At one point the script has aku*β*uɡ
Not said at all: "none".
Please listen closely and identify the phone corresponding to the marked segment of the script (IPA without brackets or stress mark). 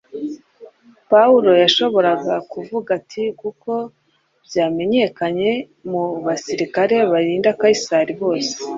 v